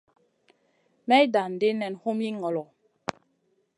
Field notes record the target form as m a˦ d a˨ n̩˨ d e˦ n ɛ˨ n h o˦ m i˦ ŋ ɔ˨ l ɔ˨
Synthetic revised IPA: m ɛ˦ d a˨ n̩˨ d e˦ n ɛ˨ n h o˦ m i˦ ŋ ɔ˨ l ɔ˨